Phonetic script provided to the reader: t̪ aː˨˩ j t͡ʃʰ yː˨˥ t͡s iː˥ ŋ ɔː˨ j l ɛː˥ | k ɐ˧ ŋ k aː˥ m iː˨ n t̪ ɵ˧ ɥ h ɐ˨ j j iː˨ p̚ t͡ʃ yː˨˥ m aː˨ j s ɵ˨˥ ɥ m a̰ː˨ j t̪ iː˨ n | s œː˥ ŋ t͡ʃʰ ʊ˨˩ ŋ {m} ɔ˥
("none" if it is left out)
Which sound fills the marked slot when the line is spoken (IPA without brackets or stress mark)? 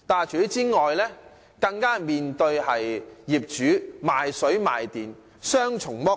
m